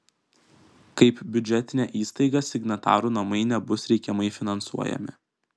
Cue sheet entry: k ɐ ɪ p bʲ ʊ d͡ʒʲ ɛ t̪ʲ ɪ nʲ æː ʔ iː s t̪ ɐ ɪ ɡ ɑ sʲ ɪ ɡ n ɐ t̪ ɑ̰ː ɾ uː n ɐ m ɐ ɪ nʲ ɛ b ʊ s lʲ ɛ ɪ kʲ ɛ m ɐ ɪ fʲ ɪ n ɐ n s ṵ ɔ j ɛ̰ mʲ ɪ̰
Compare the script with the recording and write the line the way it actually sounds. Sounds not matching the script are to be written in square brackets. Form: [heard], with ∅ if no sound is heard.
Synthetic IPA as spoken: k ɐ ɪ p bʲ ʊ d͡ʒʲ ɛ t̪ʲ ɪ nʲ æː ʔ iː s t̪ ɐ ɪ ɡ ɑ sʲ ɪ ɡ n ɐ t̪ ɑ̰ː ɾ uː n ɐ m ɐ ɪ nʲ ɛ b ʊ s [ɾʲ] ɛ ɪ kʲ ɛ m ɐ ɪ fʲ ɪ n ɐ n s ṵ ɔ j ɛ̰ mʲ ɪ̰